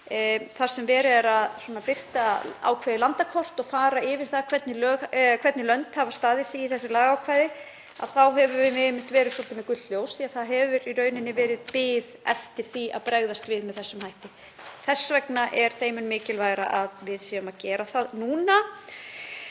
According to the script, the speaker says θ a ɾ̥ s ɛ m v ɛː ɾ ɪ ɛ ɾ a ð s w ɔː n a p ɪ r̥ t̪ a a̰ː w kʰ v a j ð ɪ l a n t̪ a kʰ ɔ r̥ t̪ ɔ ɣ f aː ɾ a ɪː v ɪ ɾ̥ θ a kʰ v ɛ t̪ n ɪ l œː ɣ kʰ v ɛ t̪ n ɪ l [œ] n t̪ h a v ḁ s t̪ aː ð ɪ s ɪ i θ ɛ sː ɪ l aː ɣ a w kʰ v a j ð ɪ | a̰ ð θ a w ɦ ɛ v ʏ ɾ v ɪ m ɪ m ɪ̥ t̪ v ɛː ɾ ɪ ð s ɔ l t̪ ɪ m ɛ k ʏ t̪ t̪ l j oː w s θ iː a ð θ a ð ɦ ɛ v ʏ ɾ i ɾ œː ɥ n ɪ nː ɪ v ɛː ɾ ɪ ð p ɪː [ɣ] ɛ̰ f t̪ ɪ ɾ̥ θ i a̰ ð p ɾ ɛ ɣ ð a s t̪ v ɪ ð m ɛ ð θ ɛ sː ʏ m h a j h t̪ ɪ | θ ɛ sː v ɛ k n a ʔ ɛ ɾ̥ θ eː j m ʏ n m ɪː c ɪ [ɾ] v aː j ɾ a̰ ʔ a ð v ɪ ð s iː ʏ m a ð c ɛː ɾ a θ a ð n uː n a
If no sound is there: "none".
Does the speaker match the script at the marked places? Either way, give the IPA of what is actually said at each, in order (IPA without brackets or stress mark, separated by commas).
œ, ð, l